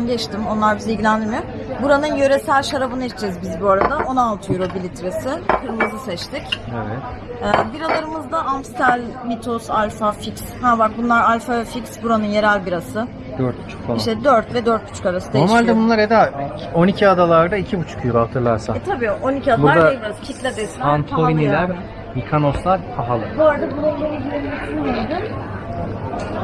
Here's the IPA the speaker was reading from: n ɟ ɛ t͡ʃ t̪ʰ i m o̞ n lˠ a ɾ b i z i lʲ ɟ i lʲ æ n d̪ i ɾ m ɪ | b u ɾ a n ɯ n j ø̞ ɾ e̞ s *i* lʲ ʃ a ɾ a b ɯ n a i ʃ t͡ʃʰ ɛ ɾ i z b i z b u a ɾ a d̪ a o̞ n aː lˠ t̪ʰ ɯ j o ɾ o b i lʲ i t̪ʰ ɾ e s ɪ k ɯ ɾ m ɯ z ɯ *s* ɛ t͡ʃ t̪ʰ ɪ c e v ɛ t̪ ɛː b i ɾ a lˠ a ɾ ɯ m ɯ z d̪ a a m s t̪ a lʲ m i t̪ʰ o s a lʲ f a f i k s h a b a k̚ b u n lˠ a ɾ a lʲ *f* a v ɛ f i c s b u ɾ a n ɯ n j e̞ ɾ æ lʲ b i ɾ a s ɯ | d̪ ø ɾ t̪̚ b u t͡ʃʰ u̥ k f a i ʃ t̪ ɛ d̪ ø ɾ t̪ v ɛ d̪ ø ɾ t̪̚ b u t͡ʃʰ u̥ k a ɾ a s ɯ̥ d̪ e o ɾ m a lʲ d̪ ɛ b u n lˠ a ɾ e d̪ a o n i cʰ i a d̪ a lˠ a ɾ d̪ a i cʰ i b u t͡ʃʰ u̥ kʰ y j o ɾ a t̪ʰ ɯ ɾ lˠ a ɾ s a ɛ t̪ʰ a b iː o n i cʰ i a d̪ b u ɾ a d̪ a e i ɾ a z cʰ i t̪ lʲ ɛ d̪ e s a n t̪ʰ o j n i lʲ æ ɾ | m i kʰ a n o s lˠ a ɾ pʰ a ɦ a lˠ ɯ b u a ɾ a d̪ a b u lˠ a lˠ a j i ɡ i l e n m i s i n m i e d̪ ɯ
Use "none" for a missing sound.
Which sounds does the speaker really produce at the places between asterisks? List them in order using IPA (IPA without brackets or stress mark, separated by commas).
æ, s, f